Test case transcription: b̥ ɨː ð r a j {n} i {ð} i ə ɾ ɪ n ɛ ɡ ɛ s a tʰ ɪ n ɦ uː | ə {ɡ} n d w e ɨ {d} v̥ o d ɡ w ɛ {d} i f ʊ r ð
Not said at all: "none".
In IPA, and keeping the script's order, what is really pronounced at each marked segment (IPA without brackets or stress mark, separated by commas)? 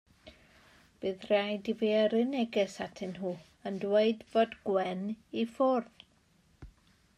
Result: d, v, none, d, n